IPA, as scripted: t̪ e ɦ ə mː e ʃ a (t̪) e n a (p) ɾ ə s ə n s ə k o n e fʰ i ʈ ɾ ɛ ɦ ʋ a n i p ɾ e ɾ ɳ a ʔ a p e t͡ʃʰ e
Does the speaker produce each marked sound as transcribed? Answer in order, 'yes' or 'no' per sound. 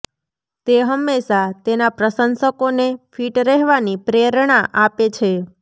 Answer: yes, yes

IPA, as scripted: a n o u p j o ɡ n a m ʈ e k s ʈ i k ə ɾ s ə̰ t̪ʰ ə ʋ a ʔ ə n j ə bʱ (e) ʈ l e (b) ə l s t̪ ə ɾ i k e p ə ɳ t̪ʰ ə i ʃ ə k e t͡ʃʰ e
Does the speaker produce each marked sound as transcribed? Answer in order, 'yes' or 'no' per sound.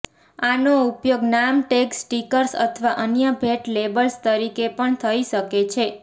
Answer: yes, yes

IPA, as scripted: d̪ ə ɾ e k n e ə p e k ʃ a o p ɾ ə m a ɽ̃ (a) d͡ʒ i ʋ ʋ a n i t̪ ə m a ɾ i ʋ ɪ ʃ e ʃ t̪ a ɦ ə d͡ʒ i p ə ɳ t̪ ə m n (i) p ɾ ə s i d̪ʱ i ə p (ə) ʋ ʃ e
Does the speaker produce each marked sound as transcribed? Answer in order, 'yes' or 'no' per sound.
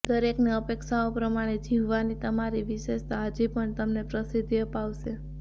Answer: no, no, no

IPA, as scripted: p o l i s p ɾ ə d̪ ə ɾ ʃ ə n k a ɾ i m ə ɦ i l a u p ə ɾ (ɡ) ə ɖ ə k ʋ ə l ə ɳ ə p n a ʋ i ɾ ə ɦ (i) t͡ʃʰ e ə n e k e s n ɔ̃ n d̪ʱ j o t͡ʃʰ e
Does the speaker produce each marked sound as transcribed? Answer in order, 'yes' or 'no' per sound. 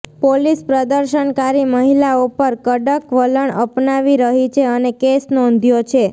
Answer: no, yes

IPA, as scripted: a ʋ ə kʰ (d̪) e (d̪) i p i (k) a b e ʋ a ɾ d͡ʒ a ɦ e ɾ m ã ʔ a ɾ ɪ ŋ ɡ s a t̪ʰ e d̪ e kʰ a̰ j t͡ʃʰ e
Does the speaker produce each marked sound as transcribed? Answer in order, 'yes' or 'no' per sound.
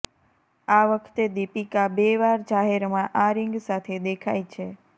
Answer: no, yes, yes

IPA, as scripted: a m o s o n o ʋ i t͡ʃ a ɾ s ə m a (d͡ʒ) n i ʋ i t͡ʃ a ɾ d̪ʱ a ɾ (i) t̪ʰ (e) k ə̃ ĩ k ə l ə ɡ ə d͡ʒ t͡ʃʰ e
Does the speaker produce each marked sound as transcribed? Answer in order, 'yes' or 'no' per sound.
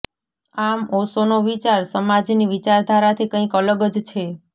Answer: yes, no, no

